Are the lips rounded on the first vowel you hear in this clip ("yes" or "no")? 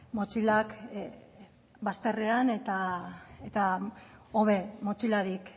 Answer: yes